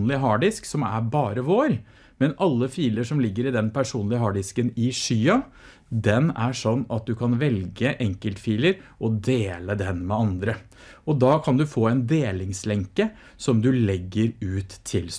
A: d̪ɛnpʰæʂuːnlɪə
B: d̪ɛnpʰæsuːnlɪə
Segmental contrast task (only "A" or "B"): A